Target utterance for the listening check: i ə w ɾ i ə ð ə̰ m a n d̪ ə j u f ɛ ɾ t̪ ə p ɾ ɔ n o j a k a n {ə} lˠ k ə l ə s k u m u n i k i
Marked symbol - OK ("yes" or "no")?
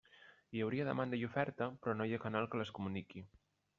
no